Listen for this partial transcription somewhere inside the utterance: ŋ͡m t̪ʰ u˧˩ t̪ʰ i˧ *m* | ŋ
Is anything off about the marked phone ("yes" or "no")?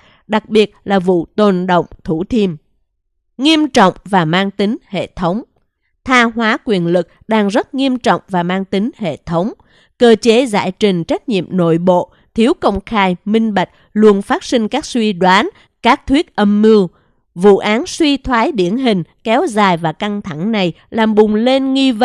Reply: no